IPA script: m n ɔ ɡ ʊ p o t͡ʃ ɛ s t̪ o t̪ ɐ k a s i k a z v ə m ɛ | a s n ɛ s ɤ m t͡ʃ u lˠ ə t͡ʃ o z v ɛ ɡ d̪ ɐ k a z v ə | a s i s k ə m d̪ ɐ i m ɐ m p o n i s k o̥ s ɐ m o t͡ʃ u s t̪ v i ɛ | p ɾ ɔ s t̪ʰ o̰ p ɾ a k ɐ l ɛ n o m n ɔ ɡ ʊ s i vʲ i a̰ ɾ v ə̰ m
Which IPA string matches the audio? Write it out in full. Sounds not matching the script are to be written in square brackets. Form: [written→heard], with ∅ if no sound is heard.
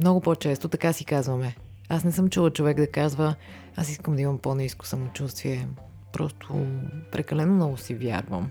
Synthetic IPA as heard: m n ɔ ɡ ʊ p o t͡ʃ ɛ s t̪ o t̪ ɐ k a s i k a z v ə m ɛ | a s n ɛ s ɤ m t͡ʃ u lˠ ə t͡ʃ o [z→∅] v ɛ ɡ d̪ ɐ k a z v ə | a s i s k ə m d̪ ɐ i m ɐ m p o n i s k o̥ s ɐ m o t͡ʃ u s t̪ v i ɛ | p ɾ ɔ s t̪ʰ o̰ p ɾ [a→ɛ] k ɐ l ɛ n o m n ɔ ɡ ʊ s i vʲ [i→j] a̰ ɾ v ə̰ m